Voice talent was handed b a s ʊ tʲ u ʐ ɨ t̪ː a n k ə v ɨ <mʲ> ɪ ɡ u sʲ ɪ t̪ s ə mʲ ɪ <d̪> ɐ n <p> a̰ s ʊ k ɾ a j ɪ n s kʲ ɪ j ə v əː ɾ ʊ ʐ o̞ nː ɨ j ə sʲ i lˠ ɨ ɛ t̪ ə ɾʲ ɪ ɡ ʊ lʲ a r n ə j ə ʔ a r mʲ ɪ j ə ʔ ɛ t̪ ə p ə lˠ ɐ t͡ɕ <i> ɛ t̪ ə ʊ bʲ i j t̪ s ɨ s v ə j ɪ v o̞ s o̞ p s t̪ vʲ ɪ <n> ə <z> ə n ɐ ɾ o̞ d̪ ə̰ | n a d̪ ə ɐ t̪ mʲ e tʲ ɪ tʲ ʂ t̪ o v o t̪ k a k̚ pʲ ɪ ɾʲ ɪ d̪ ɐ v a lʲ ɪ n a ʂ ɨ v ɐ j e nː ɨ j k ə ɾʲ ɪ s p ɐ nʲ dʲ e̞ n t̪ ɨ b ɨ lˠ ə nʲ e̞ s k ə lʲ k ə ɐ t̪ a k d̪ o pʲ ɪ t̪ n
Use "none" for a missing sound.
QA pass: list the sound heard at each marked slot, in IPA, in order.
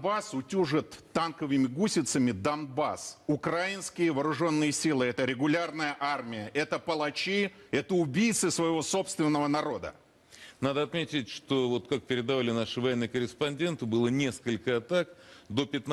mʲ, d̪, b, i, nː, v

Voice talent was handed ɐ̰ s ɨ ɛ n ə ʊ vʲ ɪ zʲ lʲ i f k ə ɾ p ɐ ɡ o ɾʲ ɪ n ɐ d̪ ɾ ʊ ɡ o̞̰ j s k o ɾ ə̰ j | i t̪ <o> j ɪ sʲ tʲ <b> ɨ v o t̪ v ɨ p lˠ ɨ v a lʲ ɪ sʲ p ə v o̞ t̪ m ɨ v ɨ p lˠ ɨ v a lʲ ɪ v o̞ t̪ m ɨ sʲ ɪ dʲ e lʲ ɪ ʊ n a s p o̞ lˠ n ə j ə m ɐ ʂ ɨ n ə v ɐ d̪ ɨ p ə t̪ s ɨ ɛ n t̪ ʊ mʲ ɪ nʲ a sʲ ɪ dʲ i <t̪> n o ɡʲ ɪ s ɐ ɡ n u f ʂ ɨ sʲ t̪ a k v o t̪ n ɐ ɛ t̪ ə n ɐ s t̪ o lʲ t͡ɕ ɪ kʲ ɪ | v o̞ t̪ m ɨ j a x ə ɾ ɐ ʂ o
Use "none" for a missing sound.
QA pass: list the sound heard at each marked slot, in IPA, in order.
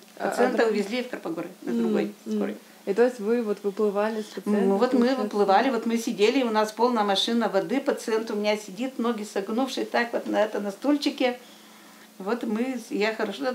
o, v, t̪

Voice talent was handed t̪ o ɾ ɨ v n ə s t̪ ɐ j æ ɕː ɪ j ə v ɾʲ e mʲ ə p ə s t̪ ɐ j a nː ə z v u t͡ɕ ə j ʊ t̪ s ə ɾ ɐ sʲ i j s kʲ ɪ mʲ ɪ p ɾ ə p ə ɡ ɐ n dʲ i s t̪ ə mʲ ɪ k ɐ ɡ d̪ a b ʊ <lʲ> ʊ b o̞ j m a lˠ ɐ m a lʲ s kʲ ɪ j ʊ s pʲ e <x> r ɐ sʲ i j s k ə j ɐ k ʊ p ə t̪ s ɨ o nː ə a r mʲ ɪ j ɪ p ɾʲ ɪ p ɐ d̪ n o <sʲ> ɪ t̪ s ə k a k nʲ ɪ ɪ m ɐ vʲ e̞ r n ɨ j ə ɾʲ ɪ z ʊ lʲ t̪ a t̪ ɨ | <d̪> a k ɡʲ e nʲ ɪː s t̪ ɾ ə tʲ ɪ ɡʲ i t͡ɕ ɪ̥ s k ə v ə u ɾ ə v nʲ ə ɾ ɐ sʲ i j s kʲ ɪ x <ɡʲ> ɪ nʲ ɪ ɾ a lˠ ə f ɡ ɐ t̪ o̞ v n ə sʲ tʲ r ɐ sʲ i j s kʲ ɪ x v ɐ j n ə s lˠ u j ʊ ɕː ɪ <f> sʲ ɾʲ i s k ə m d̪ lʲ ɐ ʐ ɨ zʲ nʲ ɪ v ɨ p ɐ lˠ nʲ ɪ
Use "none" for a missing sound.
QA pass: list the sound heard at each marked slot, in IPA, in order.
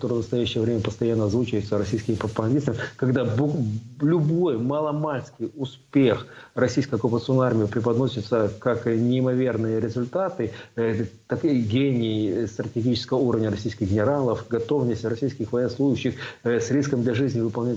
lʲ, x, sʲ, t̪, ɡʲ, x

